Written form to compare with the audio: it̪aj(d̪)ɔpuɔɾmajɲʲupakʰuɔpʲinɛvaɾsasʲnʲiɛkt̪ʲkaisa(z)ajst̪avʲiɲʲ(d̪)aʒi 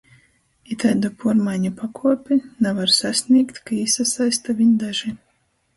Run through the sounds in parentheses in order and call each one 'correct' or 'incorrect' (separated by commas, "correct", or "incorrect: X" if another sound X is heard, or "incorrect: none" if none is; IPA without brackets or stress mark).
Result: correct, incorrect: s, correct